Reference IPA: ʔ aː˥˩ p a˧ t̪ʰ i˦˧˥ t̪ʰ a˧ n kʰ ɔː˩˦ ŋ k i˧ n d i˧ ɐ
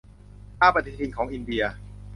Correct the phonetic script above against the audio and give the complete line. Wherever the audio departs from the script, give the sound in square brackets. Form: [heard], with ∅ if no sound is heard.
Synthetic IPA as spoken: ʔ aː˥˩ p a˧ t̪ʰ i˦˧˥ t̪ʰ [i˧] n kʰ ɔː˩˦ ŋ [ʔ] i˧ n d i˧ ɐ

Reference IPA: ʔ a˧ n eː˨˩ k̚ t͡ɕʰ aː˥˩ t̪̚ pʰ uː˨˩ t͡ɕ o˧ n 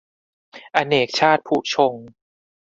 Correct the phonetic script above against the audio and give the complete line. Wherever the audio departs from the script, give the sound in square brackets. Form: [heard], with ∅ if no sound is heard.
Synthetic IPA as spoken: ʔ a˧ n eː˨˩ k̚ t͡ɕʰ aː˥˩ t̪̚ pʰ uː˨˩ [t͡ɕʰ] o˧ [ŋ]

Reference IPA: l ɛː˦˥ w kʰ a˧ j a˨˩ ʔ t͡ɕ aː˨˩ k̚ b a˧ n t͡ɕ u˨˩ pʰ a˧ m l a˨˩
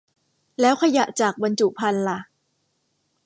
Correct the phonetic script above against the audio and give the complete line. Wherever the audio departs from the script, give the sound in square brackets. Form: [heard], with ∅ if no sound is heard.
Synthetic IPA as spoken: l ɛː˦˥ w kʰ a˧ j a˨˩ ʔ t͡ɕ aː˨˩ k̚ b a˧ n t͡ɕ u˨˩ pʰ a˧ [n] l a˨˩

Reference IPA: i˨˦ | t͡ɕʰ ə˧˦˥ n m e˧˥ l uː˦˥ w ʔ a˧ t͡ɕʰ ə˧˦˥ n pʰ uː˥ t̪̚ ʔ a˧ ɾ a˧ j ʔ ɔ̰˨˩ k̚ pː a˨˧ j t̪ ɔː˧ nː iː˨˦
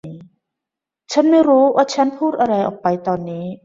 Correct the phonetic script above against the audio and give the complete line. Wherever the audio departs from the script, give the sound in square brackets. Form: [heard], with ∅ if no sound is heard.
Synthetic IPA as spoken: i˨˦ | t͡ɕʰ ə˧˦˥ n m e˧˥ [ɾ] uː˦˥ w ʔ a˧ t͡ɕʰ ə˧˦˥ n pʰ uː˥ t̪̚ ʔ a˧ ɾ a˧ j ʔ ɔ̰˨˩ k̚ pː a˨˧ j t̪ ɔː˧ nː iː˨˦

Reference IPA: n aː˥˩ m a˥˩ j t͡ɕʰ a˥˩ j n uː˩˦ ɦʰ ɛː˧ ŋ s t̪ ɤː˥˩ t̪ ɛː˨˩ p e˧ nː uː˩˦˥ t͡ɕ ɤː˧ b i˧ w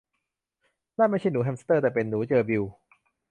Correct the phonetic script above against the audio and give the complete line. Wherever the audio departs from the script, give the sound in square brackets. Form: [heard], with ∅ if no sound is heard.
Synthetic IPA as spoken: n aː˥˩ m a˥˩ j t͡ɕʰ a˥˩ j n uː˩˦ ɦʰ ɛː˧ [m] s t̪ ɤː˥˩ t̪ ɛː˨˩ p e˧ nː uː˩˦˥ t͡ɕ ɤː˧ b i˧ w

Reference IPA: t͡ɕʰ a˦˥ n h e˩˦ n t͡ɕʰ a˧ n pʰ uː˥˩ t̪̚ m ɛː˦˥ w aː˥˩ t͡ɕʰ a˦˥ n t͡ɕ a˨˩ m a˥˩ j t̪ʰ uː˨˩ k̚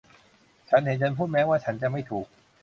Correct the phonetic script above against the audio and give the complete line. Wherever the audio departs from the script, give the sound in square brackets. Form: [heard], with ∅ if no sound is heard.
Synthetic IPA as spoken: t͡ɕʰ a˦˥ n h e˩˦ n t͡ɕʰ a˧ n pʰ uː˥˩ t̪̚ m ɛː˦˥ w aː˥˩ t͡ɕʰ a˦˥ n t͡ɕ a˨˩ m a˥˩ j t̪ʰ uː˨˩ k̚

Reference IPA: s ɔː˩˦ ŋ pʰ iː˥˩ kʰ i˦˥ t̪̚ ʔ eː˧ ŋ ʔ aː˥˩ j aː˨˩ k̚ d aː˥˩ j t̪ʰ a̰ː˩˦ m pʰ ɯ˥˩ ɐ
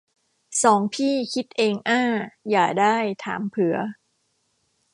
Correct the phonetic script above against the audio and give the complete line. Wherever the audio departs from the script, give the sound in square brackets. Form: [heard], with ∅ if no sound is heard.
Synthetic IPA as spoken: s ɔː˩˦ ŋ pʰ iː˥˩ kʰ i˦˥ t̪̚ ʔ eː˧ ŋ ʔ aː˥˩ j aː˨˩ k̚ d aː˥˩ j t̪ʰ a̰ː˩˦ m pʰ [ɯ˨˩˦] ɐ

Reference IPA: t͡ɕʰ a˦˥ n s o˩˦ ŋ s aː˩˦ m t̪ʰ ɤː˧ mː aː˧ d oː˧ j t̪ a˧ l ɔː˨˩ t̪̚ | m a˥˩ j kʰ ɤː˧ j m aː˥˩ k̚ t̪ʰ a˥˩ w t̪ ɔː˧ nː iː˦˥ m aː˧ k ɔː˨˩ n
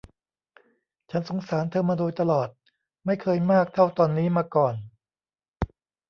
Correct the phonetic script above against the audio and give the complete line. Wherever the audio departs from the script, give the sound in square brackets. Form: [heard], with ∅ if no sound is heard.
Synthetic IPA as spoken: t͡ɕʰ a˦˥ n s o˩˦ ŋ s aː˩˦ [n] t̪ʰ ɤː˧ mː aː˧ d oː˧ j t̪ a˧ l ɔː˨˩ t̪̚ | m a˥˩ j kʰ ɤː˧ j m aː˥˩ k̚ t̪ʰ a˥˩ w t̪ ɔː˧ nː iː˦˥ m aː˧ k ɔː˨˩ n

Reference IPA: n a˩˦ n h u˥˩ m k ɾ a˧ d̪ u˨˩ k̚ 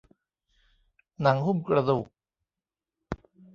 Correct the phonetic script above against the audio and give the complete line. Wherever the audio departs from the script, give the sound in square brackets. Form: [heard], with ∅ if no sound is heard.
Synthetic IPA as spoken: n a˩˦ [ŋ] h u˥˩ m k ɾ a˧ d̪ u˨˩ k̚

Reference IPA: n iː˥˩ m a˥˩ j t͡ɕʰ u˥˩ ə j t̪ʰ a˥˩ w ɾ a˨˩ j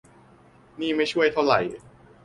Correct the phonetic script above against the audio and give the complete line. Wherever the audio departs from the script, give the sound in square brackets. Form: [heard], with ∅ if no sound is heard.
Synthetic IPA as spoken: n iː˥˩ m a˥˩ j t͡ɕʰ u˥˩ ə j t̪ʰ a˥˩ w ɾ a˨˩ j

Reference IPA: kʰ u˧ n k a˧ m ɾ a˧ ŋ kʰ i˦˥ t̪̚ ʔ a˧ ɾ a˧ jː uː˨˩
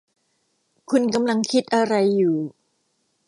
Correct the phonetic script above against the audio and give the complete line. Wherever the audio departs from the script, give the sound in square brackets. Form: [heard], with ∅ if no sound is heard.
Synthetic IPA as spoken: kʰ u˧ n k a˧ m [l] a˧ ŋ kʰ i˦˥ t̪̚ ʔ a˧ ɾ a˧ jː uː˨˩

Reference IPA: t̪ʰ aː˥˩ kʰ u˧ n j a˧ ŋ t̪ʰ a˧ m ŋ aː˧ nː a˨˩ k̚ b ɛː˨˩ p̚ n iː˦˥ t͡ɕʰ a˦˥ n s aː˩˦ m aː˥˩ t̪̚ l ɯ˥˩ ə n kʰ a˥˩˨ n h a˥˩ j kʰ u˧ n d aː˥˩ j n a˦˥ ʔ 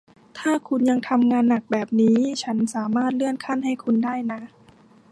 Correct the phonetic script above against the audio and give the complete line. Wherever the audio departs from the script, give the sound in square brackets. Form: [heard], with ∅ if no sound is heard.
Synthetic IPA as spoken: t̪ʰ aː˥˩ kʰ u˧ n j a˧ ŋ t̪ʰ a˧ m ŋ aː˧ nː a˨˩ k̚ b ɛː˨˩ p̚ n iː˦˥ t͡ɕʰ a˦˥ n s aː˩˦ m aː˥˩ t̪̚ l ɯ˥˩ ə n kʰ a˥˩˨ n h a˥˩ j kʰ u˧ n d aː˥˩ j n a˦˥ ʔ

